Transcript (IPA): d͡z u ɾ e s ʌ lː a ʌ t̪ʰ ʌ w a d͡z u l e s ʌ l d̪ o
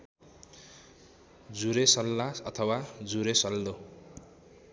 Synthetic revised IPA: d͡z u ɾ e s ʌ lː a ʌ t̪ʰ ʌ w a d͡z u ɾ e s ʌ l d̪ o